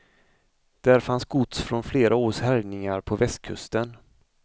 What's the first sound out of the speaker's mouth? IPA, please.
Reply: d̪̥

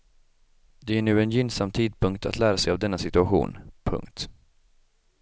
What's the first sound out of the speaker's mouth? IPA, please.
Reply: d̪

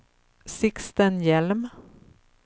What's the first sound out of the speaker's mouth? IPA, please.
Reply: s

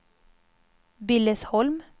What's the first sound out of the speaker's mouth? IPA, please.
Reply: b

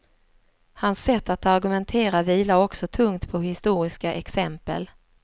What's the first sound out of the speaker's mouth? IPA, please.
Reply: h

